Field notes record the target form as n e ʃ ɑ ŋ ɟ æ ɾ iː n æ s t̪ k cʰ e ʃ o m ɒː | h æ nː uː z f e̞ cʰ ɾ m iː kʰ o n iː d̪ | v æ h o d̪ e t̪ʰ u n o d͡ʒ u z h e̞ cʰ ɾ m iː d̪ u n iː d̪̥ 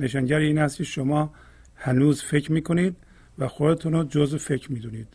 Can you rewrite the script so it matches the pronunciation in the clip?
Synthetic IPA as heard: n e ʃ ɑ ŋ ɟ æ ɾ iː n æ s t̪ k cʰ e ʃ o m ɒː | h æ n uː z f e̞ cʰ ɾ m iː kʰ o n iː d̪ | v æ x o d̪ e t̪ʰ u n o d͡ʒ o z f e̞ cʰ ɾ m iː d̪ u n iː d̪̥